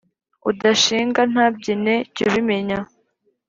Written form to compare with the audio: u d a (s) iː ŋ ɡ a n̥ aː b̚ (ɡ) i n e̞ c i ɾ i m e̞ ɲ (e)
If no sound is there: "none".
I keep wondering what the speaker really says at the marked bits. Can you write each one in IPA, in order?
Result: ʃ, ɟ, a

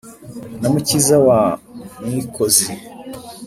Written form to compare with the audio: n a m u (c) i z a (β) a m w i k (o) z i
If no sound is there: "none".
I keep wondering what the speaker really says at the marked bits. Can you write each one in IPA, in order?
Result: c, w, o

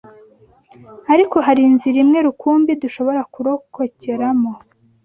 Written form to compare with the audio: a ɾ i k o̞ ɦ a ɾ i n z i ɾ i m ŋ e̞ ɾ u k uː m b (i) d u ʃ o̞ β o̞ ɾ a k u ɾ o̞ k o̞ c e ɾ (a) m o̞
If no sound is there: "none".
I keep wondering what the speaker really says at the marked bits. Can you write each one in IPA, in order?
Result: i, a

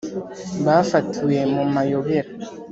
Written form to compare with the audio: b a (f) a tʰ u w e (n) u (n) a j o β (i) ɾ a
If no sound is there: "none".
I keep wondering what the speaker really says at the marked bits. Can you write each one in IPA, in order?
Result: f, m, m, e

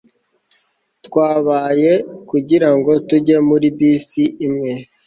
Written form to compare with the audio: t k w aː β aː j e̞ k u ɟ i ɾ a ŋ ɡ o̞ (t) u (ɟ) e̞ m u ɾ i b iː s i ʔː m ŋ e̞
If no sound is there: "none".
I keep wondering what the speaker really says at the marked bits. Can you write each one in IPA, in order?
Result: t, ɟ

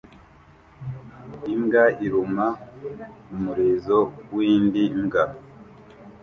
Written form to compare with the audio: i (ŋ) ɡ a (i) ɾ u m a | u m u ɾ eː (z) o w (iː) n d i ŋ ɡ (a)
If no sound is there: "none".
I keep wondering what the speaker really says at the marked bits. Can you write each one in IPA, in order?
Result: ŋ, i, z, iː, a

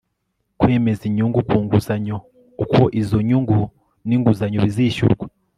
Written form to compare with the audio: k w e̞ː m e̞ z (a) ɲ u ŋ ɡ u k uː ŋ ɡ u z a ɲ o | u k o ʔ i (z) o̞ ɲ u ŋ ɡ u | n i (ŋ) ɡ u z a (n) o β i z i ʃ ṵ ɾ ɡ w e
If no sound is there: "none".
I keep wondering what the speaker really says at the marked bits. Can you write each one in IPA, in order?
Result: i, z, ŋ, ɲ

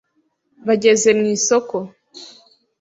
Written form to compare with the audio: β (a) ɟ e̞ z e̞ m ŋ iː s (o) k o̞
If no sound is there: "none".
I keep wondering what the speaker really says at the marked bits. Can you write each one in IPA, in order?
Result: a, o

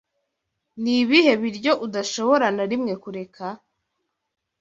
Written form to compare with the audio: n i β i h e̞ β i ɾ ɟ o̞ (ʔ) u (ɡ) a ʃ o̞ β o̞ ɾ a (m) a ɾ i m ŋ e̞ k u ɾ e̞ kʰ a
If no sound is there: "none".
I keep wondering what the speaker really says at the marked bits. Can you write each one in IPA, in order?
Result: ʔ, d, n

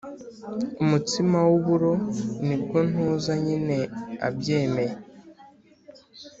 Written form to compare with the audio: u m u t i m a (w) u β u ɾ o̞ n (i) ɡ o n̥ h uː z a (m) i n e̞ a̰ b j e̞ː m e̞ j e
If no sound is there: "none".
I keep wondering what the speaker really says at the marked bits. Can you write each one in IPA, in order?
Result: w, i, ɲ

